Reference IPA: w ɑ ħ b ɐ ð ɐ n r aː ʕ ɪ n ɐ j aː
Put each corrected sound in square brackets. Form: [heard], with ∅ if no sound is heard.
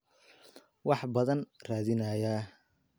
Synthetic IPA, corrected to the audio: w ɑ ħ b ɐ ð ɐ n r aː [ð] ɪ n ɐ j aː